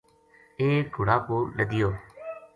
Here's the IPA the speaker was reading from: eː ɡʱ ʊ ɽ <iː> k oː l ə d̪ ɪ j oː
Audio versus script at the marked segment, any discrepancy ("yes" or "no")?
yes